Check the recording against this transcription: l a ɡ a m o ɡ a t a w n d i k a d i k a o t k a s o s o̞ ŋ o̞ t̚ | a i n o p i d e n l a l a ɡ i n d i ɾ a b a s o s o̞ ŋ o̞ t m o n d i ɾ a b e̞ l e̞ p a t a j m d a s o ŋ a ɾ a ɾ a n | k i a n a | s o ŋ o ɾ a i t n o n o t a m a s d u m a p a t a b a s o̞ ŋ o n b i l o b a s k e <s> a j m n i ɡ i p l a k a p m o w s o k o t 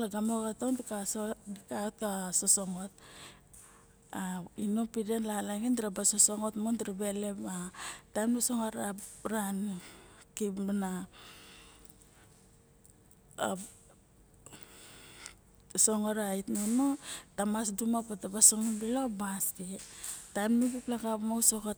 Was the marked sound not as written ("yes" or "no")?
yes